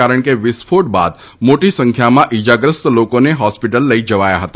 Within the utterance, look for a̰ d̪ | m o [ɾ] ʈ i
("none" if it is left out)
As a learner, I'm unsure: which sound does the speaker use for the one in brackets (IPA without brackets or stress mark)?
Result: none